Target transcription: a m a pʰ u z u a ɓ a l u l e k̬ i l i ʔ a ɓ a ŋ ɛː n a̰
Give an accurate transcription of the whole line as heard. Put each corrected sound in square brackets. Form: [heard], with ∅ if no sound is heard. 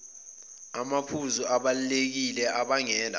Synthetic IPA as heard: a m a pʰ u z u a ɓ a l u l e k̬ i l [ɛ] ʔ a ɓ a ŋ ɛː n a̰

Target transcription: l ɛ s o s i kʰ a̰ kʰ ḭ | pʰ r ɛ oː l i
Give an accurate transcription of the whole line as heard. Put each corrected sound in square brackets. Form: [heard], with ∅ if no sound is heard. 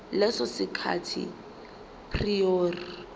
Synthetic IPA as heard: l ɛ s [ɔ] s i kʰ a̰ [tʰ] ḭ | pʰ r [i] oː [r] i

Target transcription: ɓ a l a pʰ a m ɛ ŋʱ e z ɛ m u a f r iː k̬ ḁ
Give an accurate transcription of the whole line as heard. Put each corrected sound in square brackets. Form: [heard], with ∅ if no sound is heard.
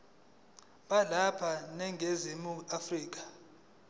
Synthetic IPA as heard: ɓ a l a pʰ a [n] ɛ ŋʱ e z [i] m u a f r iː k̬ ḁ

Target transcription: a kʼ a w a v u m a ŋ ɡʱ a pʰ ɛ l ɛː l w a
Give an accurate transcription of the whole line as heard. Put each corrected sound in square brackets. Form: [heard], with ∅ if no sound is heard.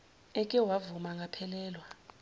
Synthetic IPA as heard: [ɛ] kʼ [ɛ] w a v u m a ŋ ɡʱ a pʰ ɛ l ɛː l w a

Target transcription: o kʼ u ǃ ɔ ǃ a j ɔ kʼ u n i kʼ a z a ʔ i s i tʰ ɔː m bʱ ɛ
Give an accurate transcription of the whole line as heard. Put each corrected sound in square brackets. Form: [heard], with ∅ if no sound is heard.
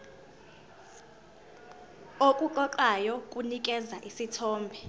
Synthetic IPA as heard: o kʼ u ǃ ɔ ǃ a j ɔ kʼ u n i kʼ [ɛ] z a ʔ i s i tʰ ɔː m bʱ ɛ

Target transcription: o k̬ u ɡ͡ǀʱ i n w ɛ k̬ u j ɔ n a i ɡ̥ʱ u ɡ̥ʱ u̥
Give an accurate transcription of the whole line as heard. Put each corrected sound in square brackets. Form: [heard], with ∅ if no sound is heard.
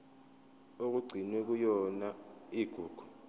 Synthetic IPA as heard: o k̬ u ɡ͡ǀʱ i n w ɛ k̬ u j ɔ n a i ɡ̥ʱ [uː] ɡ̥ʱ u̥

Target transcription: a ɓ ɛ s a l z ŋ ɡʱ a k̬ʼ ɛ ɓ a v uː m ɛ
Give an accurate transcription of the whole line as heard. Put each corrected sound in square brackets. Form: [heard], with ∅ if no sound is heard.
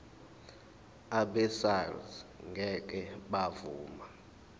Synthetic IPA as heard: a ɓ ɛ s a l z ŋ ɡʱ [ɛ] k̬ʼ ɛ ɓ a v uː m [a]

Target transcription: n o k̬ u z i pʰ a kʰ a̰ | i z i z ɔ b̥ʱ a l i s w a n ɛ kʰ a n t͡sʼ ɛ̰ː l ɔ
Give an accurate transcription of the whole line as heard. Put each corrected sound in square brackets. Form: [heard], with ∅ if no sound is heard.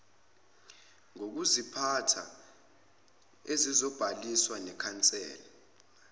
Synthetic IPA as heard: [ŋ] o k̬ u z i pʰ a [tʰ] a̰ | [e] z i z ɔ b̥ʱ a l i s w a n ɛ kʰ a n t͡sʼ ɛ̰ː l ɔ

